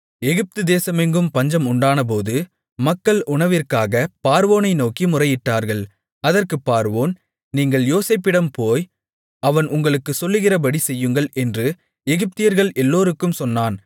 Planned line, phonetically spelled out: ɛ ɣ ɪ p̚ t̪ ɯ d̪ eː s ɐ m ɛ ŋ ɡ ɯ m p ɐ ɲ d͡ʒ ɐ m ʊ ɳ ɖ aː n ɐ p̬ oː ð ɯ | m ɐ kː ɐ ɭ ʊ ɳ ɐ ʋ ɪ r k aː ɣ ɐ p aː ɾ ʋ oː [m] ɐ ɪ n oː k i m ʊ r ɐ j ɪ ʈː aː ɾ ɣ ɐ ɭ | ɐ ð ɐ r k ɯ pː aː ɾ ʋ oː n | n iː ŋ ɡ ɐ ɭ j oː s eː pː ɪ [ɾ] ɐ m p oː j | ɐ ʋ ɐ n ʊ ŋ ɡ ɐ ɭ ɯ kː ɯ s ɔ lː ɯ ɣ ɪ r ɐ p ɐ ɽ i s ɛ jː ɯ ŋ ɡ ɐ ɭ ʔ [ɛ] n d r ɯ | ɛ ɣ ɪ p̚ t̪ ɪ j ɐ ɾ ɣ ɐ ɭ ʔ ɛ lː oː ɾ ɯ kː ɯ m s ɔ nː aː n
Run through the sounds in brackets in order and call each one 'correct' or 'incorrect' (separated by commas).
incorrect, incorrect, correct